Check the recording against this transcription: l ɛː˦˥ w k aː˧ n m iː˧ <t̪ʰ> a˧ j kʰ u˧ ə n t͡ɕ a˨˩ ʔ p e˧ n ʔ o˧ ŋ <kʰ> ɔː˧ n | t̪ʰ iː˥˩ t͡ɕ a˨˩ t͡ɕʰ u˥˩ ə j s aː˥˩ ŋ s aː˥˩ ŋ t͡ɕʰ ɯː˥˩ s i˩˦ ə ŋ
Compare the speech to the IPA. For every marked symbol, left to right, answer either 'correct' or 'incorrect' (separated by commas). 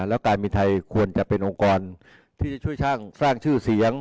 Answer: correct, incorrect